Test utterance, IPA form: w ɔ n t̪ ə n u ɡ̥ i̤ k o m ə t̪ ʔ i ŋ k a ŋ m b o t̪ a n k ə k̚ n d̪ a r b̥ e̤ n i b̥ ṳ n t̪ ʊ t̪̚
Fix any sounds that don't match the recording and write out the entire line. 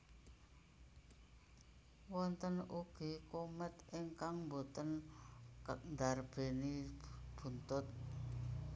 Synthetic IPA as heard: w ɔ n t̪ ə n u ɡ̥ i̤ k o m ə t̪ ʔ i ŋ k a ŋ m b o t̪ ə n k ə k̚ n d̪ a r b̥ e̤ n i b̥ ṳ n t̪ ʊ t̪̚